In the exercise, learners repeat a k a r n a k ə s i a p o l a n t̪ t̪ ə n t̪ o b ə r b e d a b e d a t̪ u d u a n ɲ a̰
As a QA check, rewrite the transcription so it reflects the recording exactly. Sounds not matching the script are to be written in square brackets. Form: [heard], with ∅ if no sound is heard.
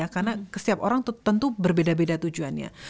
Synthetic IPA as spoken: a k a r n a k ə s i a p o [ɾ] a [ŋ] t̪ t̪ ə n t̪ [u] b ə r b e d a b e d a t̪ u [d͡ʒ] u a n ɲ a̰